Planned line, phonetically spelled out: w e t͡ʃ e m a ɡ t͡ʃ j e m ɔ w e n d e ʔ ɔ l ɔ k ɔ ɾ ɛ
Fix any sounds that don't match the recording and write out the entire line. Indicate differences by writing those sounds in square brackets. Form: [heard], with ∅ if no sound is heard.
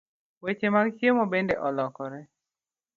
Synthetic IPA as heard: w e t͡ʃ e m a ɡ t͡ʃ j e m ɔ [b] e n d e ʔ ɔ l ɔ k ɔ ɾ ɛ